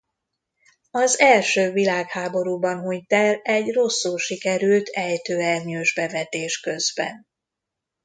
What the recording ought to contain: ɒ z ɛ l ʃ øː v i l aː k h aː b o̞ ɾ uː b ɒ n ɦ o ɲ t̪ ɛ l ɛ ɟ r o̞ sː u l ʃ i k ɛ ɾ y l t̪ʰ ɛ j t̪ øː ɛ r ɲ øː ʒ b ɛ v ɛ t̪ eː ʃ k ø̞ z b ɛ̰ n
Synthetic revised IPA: ɒ z ɛ l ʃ øː v i l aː k h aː b o̞ ɾ uː b ɒ n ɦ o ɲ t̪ ɛ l ɛ ɟ r o̞ sː u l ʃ i k ɛ ɾ y l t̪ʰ ɛ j t̪ øː ɛ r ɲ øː ʒ b ɛ v ɛ t̪ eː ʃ k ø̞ z b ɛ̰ n